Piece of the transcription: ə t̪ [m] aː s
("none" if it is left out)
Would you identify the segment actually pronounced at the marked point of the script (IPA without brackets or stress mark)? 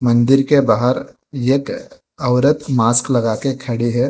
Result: m